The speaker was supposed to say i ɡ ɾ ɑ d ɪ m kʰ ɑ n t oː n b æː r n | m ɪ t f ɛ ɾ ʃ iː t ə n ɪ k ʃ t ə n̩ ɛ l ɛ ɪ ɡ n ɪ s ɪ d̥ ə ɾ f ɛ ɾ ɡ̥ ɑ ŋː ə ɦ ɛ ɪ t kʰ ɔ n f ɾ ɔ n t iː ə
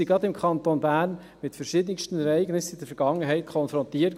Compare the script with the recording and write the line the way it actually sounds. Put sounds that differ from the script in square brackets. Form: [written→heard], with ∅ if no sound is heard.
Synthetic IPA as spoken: i ɡ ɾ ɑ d ɪ m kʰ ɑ n t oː n b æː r n | m ɪ t f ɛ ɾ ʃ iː [t→d] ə n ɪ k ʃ t ə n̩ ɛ [l→ɾ] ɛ ɪ ɡ n ɪ s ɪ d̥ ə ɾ f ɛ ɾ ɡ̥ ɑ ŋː ə ɦ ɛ ɪ t kʰ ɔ n f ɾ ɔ n t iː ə